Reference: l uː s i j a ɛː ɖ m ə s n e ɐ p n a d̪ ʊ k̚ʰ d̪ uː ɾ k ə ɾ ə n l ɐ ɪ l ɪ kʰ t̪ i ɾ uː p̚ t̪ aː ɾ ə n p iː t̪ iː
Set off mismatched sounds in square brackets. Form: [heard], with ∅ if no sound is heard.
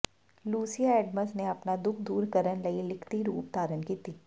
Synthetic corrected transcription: l uː s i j a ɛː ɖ m ə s n e ɐ p n a d̪ ʊ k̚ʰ d̪ uː ɾ k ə ɾ ə n l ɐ [i] l ɪ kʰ t̪ i ɾ uː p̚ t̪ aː ɾ ə n [k] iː t̪ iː